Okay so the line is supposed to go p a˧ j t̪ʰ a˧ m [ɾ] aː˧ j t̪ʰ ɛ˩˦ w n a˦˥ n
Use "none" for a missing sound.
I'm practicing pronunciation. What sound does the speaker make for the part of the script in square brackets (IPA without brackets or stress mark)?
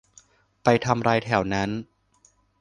ɾ